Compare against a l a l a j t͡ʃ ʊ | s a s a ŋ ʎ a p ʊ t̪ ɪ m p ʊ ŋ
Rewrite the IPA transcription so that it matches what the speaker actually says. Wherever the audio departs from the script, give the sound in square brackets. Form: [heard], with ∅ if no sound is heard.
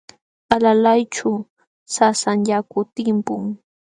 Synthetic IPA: a l a l a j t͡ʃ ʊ | s a s a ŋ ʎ a [k] ʊ t̪ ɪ m p ʊ ŋ